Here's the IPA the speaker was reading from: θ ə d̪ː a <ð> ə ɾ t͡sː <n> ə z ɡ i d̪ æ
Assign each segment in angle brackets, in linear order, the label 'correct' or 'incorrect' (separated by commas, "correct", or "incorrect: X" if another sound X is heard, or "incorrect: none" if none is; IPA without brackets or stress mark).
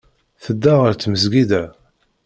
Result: incorrect: ʁ, incorrect: m